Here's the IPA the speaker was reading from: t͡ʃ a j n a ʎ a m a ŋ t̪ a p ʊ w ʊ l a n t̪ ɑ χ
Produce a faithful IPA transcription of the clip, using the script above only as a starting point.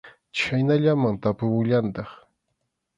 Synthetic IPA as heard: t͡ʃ a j n a ʎ a m a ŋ t̪ a p ʊ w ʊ ʎ a n t̪ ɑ χ